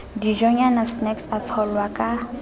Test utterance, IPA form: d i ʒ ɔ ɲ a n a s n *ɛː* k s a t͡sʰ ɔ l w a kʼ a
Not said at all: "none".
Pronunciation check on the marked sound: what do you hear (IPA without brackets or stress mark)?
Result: ɛ